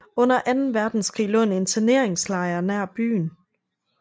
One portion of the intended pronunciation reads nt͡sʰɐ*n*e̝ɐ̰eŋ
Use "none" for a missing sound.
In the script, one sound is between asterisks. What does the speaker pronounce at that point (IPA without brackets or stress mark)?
n